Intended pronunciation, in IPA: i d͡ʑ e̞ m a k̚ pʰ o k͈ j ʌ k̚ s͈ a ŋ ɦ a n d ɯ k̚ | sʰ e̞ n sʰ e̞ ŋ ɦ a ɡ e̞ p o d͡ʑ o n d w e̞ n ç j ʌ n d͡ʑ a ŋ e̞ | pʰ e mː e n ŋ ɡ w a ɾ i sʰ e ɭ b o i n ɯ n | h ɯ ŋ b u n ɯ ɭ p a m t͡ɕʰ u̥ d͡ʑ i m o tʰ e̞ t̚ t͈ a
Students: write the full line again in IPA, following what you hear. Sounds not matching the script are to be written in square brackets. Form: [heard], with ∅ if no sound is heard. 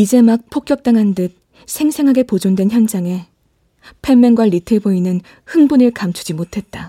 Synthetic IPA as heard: i d͡ʑ e̞ m a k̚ pʰ o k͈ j ʌ k̚ [t͈] a ŋ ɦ a n d ɯ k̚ | sʰ e̞ [ŋ] sʰ e̞ ŋ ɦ a ɡ e̞ p o d͡ʑ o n d w e̞ n ç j ʌ n d͡ʑ a ŋ e̞ | pʰ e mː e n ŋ ɡ w a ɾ i [tʰ] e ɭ b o i n ɯ n | h ɯ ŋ b u n ɯ ɭ [k] a m t͡ɕʰ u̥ d͡ʑ i m o tʰ e̞ t̚ t͈ a